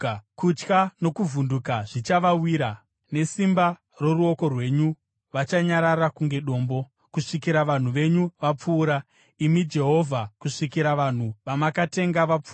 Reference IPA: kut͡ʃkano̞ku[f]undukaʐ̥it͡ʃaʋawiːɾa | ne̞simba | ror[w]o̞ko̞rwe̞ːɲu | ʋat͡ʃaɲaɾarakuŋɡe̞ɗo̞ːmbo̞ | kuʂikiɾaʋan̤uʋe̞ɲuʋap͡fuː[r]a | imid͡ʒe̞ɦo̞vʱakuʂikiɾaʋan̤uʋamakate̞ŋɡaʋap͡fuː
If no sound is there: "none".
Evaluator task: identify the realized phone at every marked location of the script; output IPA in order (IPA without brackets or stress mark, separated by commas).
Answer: v, u, ɾ